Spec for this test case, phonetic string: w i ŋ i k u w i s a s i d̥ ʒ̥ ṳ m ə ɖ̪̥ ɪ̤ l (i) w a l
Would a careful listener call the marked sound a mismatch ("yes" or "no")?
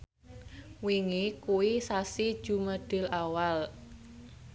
yes